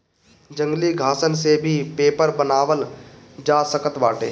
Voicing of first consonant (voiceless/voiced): voiced